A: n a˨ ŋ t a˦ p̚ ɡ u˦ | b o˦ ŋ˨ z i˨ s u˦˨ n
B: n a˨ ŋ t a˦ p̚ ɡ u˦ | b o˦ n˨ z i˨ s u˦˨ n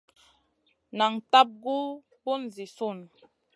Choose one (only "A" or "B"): B